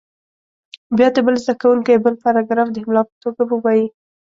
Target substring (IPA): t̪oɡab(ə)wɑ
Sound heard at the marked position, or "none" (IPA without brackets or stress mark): ə